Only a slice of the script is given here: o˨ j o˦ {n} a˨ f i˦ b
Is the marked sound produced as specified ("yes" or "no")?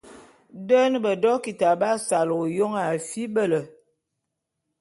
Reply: no